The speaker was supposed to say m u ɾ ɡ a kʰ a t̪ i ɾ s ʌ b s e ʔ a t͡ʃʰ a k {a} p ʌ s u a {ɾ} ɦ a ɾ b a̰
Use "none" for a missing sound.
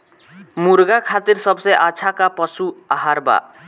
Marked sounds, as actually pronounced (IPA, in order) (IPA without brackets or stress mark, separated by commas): a, none